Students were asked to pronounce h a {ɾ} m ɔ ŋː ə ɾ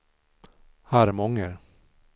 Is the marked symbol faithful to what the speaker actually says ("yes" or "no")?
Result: yes